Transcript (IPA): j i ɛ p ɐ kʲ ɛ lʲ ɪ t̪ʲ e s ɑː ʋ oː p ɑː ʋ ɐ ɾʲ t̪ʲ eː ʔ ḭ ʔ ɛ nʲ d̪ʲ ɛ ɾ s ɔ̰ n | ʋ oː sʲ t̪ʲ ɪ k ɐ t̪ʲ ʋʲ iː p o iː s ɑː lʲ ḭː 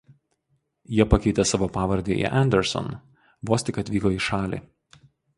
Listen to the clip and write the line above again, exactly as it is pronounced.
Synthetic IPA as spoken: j i ɛ p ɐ kʲ ɛ ɪ t̪ʲ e s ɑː ʋ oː p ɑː ʋ ɐ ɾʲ d̪ʲ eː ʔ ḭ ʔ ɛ nʲ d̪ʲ ɛ ɾ s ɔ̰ n | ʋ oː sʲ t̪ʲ ɪ k ɐ t̪ʲ ʋʲ iː k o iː ʃ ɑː lʲ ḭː

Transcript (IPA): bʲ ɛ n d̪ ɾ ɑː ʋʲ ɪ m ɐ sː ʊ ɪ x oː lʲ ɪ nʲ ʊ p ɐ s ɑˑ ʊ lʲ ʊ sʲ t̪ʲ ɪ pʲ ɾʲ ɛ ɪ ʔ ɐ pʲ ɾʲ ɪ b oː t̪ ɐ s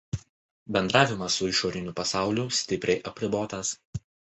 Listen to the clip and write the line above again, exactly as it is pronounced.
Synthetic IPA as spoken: bʲ ɛ n d̪ ɾ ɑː ʋʲ ɪ m ɐ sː ʊ ɪ ʃ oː ɾʲ ɪ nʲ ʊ p ɐ s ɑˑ ʊ lʲ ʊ sʲ t̪ʲ ɪ pʲ ɾʲ ɛ ɪ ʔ ɐ pʲ ɾʲ ɪ b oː t̪ ɐ s

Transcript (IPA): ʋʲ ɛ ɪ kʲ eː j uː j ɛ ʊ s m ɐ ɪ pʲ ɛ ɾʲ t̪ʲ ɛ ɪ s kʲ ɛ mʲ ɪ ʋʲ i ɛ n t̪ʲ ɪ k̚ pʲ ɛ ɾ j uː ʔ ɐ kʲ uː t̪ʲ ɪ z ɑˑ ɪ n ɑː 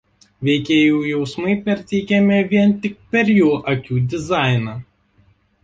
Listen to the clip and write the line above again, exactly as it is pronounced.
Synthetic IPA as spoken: ʋʲ ɛ ɪ kʲ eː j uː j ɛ ʊ s m ɐ ɪ pʲ ɛ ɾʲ t̪ʲ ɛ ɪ kʲ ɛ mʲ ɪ ʋʲ i ɛ n t̪ʲ ɪ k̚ pʲ ɛ ɾ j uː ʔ ɐ kʲ uː d̪ʲ ɪ z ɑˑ ɪ n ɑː

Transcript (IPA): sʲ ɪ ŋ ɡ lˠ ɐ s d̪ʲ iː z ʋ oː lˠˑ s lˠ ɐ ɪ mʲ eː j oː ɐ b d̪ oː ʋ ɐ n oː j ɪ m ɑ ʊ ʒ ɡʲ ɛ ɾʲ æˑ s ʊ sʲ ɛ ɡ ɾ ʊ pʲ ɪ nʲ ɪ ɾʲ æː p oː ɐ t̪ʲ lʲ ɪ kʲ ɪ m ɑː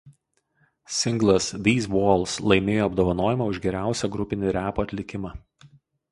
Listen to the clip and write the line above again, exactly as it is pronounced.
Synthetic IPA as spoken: sʲ ɪ ŋ ɡ lˠ ɐ s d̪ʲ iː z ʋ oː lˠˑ s lˠ ɐ ɪ mʲ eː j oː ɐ b d̪ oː ʋ ɐ n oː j ɪ m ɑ ʊ ʒ ɡʲ ɛ ɾʲ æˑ ʊ sʲ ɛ ɡ ɾ ʊ pʲ ɪ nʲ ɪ ɾʲ æː p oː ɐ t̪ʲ lʲ ɪ kʲ ɪ m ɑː

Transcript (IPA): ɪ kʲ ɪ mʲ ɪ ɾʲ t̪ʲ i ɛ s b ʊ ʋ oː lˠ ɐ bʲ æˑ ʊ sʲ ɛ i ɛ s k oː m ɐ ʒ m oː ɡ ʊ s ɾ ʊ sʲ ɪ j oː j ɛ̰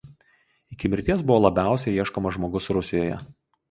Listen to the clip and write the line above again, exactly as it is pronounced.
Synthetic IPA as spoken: ɪ kʲ ɪ mʲ ɪ ɾʲ t̪ʲ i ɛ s b ʊ ʋ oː lˠ ɐ bʲ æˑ ʊ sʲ ɛ i ɛ ʃ k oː m ɐ ʒ m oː ɡ ʊ s ɾ ʊ sʲ ɪ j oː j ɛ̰

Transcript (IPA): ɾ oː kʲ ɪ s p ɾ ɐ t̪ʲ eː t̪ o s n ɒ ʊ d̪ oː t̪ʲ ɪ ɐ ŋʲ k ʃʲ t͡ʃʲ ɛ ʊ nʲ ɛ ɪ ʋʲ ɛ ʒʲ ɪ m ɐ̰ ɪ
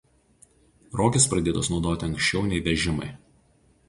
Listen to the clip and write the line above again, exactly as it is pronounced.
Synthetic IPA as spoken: ɾ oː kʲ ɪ s p ɾ ɐ d̪ʲ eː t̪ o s n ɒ ʊ d̪ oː t̪ʲ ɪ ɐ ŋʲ k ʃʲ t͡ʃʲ ɛ ʊ nʲ ɛ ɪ ʋʲ ɛ ʒʲ ɪ m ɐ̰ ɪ

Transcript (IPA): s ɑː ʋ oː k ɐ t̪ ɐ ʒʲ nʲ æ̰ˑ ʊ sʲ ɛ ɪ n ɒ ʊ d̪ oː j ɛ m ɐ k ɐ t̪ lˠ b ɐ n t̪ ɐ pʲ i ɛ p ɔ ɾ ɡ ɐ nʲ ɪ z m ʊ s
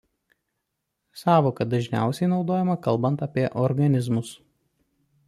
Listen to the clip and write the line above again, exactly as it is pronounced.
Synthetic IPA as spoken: s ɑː ʋ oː k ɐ d̪ ɐ ʒʲ nʲ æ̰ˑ ʊ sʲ ɛ ɪ n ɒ ʊ d̪ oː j ɛ m ɐ k ɐ lˠ b ɐ n t̪ ɐ pʲ i ɛ ʔ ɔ ɾ ɡ ɐ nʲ ɪ z m ʊ s

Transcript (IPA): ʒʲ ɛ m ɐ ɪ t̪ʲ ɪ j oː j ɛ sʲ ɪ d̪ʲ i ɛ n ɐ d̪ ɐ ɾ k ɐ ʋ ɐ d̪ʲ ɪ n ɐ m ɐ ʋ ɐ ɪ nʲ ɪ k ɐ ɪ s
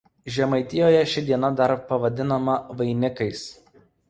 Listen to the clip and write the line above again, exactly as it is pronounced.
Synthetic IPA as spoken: ʒʲ ɛ m ɐ ɪ t̪ʲ ɪ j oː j ɛ ʃʲ ɪ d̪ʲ i ɛ n ɐ d̪ ɐ ɾ p ɐ ʋ ɐ d̪ʲ ɪ n ɐ m ɐ ʋ ɐ ɪ nʲ ɪ k ɐ ɪ s

